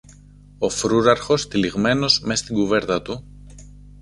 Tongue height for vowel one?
mid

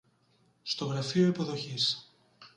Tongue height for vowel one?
mid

